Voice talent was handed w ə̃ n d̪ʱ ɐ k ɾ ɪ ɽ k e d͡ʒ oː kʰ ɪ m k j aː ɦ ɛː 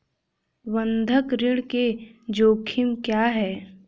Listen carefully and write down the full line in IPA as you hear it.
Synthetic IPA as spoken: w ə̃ n d̪ʱ ə k ɾ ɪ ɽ k e d͡ʒ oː kʰ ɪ m k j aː ɦ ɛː